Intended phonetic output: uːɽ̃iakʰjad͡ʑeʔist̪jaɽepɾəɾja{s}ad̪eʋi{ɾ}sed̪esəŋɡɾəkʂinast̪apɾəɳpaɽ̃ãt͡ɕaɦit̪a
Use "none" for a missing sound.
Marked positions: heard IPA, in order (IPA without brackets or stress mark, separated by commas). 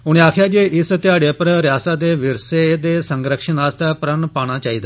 s, ɾ